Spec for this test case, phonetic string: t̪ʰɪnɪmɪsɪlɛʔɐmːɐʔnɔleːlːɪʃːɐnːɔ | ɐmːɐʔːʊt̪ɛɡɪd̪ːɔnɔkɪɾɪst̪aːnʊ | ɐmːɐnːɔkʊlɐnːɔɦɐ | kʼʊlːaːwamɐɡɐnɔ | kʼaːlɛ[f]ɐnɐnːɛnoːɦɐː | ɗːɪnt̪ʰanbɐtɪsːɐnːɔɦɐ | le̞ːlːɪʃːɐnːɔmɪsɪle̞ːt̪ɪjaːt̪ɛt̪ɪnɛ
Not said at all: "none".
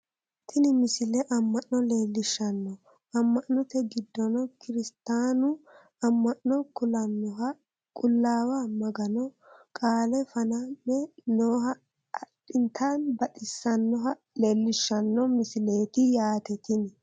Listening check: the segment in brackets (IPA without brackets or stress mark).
f